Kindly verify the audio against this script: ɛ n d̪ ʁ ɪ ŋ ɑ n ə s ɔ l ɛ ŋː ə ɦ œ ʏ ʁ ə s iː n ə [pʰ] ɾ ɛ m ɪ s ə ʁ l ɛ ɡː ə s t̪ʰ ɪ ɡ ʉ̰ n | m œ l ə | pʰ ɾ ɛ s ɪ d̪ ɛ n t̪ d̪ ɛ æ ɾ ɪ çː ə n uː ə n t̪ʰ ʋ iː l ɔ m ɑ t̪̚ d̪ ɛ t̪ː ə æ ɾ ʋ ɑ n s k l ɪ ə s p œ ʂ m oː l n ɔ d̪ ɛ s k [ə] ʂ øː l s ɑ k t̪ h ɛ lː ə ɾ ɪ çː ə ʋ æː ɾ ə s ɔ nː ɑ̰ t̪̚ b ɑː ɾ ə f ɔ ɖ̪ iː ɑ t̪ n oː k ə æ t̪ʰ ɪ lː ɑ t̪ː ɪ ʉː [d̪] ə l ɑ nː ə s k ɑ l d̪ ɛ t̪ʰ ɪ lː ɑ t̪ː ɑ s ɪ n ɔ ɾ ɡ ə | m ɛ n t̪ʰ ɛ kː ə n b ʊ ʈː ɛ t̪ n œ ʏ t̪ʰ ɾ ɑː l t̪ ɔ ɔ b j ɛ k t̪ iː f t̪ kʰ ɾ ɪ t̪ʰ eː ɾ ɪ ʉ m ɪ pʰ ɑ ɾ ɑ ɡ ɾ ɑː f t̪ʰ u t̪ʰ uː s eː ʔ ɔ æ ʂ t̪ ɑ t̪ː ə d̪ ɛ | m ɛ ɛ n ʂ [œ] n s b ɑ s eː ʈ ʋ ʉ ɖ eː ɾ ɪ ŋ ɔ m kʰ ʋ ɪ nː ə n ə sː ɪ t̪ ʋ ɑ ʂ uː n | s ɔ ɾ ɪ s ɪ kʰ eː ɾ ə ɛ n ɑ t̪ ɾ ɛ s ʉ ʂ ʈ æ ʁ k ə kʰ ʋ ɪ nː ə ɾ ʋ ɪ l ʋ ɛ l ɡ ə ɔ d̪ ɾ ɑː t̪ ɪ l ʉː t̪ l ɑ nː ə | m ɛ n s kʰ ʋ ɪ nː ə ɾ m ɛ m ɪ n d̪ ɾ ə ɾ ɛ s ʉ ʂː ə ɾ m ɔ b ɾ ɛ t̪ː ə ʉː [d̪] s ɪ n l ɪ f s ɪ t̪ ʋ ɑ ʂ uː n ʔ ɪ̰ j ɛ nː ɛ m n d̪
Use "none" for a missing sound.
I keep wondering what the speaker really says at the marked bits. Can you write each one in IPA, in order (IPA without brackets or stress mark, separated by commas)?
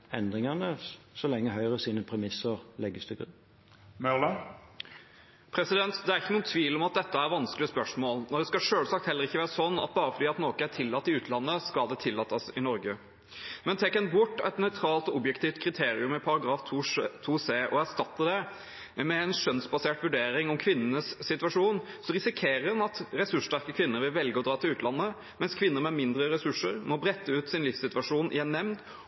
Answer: pʰ, ɑ, t̪, œ, t̪